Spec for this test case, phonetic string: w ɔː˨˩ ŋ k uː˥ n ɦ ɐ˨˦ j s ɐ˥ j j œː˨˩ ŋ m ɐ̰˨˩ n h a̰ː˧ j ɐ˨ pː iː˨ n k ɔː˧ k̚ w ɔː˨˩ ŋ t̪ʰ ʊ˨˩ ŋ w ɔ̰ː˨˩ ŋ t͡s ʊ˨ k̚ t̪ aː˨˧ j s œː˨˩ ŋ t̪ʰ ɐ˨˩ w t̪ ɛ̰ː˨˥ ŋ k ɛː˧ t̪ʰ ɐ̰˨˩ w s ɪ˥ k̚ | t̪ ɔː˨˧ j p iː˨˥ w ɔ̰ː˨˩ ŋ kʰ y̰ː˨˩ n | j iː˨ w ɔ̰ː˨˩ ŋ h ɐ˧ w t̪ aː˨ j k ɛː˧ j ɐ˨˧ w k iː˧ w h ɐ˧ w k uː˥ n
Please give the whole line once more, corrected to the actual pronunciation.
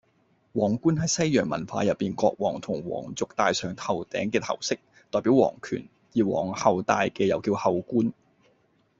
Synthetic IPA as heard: w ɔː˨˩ ŋ k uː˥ n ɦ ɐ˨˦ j s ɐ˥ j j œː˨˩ ŋ m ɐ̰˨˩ n f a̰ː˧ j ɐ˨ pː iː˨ n k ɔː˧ k̚ w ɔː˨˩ ŋ t̪ʰ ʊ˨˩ ŋ w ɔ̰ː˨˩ ŋ t͡s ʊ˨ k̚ t̪ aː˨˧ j s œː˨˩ ŋ t̪ʰ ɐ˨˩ w t̪ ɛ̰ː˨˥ ŋ k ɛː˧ t̪ʰ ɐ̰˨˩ w s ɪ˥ k̚ | t̪ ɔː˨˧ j p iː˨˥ w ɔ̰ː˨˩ ŋ kʰ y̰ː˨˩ n | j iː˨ w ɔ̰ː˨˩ ŋ h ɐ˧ w t̪ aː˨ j k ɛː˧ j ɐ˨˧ w k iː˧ w h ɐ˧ w k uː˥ n